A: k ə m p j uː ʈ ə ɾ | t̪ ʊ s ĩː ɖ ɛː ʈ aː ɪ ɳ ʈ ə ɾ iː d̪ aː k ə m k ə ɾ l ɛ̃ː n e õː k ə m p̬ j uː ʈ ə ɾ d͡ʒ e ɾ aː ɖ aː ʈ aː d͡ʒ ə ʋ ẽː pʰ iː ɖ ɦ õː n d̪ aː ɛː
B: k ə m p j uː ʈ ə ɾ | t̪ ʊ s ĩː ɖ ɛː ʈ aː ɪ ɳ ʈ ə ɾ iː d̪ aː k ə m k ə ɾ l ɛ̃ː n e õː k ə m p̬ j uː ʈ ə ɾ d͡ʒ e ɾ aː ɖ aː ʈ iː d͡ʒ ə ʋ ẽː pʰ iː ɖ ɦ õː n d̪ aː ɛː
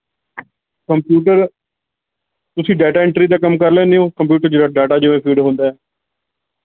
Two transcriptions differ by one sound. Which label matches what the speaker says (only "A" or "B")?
A